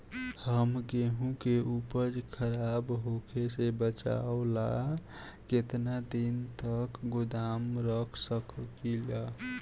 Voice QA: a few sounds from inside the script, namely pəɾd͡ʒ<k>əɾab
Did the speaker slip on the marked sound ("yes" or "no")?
yes